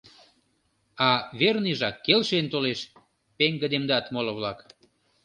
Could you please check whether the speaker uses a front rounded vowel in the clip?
no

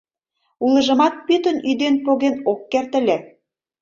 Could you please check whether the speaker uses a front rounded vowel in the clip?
yes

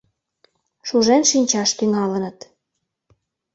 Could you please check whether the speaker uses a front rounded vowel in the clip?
yes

